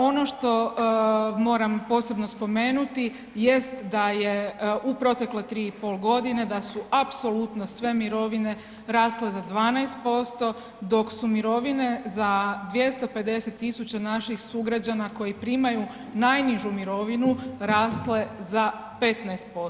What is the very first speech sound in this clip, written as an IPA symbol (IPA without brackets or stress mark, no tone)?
o̞